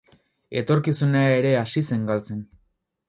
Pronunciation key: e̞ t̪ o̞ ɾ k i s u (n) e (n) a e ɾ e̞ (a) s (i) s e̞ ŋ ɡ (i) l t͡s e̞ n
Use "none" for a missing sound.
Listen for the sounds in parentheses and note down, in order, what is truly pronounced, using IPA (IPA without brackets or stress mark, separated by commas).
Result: n, none, a, i, a